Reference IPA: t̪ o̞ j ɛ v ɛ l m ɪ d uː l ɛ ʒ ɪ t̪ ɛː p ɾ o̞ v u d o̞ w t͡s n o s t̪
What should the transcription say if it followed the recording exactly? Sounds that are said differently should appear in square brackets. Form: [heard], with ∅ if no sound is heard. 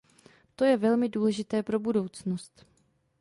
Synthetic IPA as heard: t̪ o̞ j ɛ v ɛ l m ɪ d uː l ɛ ʒ ɪ t̪ ɛː p ɾ o̞ [b] u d o̞ w t͡s n o s t̪